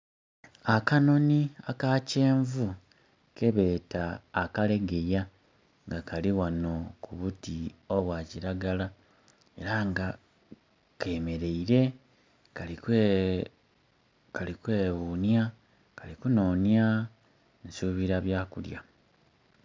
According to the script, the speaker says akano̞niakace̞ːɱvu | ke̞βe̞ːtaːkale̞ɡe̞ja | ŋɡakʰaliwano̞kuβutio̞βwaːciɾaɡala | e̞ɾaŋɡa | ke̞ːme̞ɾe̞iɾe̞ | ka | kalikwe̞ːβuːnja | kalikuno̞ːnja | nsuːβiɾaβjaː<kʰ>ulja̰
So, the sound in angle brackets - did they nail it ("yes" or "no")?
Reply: no